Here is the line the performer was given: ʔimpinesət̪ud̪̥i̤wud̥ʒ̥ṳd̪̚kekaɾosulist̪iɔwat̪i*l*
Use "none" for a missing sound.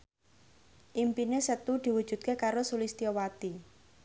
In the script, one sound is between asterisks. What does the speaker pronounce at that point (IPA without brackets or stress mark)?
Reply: none